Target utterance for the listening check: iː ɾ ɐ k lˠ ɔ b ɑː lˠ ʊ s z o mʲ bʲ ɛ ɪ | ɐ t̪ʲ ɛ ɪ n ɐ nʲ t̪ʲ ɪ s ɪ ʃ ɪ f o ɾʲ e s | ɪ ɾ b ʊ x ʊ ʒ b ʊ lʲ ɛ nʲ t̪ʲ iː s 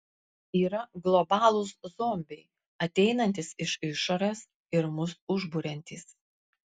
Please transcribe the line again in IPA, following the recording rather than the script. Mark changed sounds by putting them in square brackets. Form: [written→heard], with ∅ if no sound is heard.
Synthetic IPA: iː ɾ ɐ [k→ɡ] lˠ ɔ b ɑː lˠ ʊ s z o mʲ bʲ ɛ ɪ | ɐ t̪ʲ ɛ ɪ n ɐ nʲ t̪ʲ ɪ s ɪ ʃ ɪ [f→ʃ] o ɾʲ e s | ɪ ɾ [b→m] ʊ [x→s] ʊ ʒ b ʊ [lʲ→ɾʲ] ɛ nʲ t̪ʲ iː s